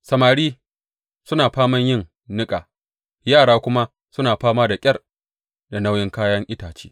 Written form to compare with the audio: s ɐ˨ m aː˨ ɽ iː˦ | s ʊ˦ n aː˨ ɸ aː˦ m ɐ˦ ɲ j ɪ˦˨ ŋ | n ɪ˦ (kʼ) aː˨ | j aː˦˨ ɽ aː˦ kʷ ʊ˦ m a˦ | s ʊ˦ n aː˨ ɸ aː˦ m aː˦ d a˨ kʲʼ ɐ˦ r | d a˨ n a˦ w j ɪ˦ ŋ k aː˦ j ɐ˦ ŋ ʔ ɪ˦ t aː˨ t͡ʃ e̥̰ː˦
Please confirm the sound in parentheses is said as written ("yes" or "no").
yes